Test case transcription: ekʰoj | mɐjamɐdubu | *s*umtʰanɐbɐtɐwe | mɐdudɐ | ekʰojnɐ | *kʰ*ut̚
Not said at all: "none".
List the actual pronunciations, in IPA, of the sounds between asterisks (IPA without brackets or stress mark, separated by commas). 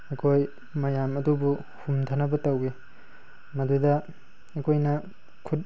h, kʰ